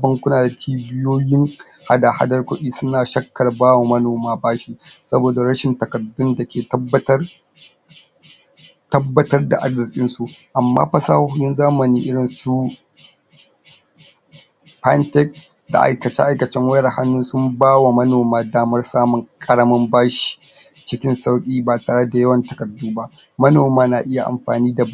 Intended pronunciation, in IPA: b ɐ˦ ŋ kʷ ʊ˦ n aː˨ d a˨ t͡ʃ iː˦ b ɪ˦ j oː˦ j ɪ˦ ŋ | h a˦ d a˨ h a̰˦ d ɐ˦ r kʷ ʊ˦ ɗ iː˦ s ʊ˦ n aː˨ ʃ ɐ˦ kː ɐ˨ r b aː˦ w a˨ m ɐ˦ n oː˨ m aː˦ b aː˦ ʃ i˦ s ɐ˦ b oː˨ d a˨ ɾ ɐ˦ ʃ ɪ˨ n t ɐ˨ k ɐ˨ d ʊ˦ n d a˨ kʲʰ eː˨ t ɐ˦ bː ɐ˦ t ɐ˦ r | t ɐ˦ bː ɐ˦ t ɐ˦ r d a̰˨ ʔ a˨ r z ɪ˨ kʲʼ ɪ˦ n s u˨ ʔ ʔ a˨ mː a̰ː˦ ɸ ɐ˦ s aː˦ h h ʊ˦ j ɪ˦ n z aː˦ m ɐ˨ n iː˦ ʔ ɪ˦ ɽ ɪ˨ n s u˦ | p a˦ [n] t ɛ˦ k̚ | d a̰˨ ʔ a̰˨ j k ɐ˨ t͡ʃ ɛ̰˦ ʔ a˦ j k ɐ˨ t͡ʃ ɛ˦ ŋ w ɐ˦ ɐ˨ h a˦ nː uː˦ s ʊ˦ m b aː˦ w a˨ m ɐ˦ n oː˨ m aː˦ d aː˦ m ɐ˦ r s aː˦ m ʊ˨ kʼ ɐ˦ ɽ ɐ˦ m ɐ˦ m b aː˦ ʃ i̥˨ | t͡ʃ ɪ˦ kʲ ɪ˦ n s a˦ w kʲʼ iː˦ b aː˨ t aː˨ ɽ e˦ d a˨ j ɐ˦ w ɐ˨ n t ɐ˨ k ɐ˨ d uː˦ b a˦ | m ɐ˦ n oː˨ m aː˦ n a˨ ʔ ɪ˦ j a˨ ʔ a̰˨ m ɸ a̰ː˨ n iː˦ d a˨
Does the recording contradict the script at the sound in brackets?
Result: no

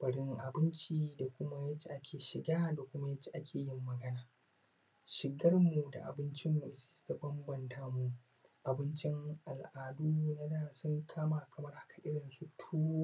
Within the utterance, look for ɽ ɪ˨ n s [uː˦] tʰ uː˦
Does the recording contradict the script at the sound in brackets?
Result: yes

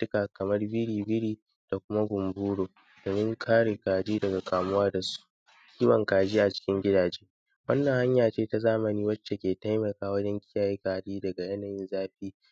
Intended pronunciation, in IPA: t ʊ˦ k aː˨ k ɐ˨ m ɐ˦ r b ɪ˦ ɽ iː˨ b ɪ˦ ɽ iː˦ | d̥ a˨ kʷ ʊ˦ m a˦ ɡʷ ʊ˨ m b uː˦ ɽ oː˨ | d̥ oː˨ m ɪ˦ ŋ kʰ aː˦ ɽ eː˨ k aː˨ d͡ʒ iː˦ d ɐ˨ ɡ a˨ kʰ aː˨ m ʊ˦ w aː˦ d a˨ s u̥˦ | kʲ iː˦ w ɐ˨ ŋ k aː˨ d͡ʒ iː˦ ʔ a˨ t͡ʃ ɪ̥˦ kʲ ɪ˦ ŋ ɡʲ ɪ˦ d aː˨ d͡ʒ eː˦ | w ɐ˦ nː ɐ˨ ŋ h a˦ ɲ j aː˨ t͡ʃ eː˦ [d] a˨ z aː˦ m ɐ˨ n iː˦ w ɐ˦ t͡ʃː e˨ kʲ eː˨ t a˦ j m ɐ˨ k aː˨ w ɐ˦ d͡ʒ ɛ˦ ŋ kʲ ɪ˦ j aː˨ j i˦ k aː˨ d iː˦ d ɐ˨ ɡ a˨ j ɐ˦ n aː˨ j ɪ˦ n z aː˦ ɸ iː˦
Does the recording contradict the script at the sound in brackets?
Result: yes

